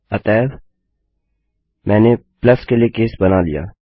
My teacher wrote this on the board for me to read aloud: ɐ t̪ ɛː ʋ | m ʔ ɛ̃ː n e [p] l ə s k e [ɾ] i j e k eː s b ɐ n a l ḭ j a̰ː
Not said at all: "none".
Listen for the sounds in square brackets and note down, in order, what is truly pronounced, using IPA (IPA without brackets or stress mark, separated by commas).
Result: p, l